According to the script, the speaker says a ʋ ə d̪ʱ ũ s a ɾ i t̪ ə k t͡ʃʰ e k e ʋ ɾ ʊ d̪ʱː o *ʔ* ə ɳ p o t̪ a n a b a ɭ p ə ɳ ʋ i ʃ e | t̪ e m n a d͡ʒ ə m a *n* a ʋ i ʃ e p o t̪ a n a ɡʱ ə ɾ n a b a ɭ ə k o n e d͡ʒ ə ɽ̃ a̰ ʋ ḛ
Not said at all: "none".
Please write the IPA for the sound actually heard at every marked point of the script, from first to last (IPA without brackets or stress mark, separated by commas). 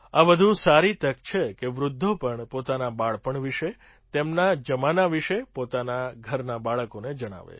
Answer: p, n